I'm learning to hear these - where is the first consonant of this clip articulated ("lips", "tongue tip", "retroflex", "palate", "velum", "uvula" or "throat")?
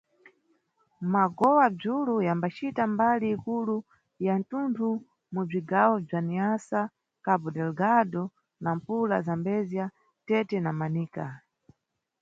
lips